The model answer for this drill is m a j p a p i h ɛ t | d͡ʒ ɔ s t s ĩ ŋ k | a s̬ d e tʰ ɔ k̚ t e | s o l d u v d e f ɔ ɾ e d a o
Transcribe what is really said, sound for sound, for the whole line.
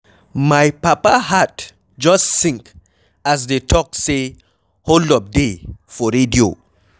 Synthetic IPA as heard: m a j p a p a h a t | d͡ʒ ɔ s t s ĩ ŋ k | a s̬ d e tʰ ɔ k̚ s e | h o l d ɔ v d e f ɔ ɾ e d i o